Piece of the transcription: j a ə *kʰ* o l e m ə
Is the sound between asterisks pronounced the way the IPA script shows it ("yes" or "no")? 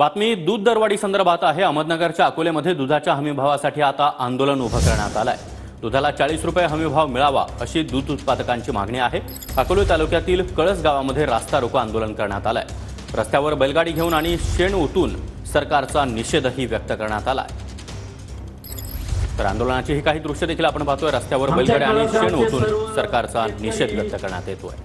no